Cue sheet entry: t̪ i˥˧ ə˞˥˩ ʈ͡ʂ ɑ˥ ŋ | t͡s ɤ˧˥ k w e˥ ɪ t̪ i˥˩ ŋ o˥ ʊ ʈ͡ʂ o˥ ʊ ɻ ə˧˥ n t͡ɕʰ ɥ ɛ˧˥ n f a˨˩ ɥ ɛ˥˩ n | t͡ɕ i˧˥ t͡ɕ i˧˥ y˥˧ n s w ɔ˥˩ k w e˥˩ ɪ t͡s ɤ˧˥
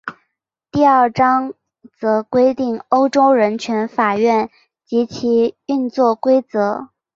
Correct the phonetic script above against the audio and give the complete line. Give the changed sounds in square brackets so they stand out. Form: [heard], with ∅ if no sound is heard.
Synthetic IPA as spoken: t̪ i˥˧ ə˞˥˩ ʈ͡ʂ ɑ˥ ŋ | t͡s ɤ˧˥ k w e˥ ɪ t̪ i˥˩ ŋ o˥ ʊ ʈ͡ʂ o˥ ʊ ɻ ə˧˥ n t͡ɕʰ ɥ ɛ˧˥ n f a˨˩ ɥ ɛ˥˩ n | t͡ɕ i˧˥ [t͡ɕʰ] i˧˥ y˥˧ n [t͡s] w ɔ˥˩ k w [e˥] ɪ t͡s ɤ˧˥